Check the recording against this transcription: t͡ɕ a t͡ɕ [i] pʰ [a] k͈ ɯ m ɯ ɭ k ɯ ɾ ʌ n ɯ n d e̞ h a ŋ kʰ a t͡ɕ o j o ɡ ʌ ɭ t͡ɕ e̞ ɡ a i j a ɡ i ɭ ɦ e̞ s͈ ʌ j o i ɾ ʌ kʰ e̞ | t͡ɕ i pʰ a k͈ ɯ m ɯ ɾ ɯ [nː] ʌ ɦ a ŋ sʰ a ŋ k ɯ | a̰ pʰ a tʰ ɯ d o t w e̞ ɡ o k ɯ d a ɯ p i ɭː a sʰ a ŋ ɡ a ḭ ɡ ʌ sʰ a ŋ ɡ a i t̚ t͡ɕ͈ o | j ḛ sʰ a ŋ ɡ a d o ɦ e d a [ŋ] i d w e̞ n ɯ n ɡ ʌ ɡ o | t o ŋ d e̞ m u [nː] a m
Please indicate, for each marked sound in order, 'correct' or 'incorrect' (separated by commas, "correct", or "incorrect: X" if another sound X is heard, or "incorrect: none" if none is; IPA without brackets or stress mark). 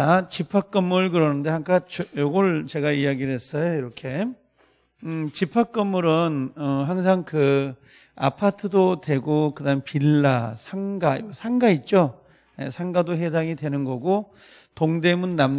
correct, correct, incorrect: n, correct, correct